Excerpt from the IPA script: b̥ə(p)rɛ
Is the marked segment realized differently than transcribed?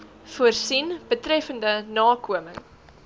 yes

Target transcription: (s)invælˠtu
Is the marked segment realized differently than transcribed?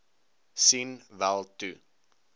no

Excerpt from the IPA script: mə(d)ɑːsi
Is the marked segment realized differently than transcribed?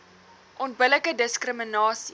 yes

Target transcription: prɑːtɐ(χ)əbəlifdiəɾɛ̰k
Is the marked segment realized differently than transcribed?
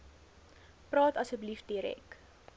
yes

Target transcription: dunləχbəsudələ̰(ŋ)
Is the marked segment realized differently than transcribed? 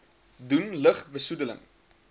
no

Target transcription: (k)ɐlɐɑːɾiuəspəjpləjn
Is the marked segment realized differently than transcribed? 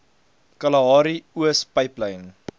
no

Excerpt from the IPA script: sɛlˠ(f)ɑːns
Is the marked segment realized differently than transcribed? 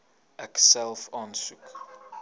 no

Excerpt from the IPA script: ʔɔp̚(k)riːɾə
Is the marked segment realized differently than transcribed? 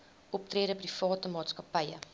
yes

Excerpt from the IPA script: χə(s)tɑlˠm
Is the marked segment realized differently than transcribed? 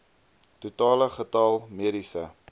yes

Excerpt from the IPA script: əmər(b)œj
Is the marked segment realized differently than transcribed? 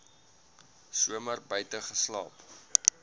no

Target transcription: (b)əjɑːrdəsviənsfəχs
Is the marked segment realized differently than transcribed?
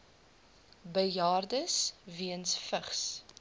no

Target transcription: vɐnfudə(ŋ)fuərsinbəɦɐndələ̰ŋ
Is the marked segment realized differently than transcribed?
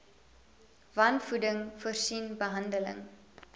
no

